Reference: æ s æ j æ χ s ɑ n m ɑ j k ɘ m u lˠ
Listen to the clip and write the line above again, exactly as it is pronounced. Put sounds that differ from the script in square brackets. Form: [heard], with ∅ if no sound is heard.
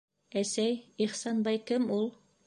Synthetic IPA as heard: æ s æ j [i] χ s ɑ n [b] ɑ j k ɘ m u lˠ